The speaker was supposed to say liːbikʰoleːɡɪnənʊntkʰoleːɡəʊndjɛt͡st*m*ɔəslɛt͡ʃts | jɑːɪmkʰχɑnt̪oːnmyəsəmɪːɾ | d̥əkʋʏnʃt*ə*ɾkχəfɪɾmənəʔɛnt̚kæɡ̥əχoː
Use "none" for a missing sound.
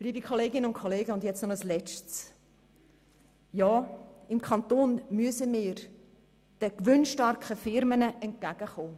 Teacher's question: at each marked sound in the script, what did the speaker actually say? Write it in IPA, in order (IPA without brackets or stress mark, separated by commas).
n, ɑ